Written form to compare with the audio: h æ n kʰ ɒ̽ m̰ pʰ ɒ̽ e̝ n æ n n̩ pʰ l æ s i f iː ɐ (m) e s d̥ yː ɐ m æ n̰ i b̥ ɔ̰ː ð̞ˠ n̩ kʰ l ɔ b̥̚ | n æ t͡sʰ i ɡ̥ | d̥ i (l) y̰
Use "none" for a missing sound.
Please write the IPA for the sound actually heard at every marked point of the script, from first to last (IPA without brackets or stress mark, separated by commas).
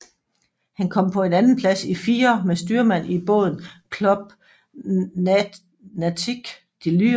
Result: m, l